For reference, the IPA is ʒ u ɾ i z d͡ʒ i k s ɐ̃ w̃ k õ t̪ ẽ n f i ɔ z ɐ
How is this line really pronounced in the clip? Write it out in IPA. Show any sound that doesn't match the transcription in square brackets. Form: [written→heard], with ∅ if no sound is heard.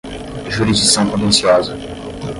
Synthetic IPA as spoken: ʒ u ɾ i z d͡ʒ i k s ɐ̃ w̃ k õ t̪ ẽ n [f→s] i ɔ z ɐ

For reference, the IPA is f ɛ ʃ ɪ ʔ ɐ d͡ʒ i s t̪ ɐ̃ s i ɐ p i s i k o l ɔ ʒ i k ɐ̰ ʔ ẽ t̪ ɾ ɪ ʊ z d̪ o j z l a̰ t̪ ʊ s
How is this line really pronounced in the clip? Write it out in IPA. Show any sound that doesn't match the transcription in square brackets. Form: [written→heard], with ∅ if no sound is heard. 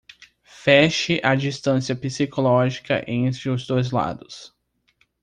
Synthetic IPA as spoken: f ɛ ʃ ɪ ʔ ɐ d͡ʒ i s t̪ ɐ̃ s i ɐ p i s i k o l ɔ ʒ i k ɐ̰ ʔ ẽ t̪ ɾ ɪ ʊ z d̪ o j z l a̰ [t̪→d̪] ʊ s

